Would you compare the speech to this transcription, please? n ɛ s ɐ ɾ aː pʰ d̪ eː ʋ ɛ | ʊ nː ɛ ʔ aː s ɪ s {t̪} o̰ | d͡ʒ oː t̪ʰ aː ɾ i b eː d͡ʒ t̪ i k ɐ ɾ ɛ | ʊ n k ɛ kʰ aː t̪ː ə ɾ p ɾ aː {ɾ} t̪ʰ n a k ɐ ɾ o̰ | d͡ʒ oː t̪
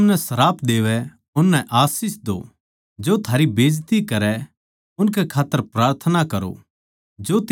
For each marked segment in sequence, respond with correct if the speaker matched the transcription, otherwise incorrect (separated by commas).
incorrect, correct